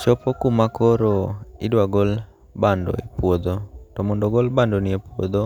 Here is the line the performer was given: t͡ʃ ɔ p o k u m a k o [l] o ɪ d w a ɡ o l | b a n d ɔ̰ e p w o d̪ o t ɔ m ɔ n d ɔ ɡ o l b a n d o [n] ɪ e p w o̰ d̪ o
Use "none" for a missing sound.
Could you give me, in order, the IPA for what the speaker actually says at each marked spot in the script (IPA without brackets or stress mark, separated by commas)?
ɾ, n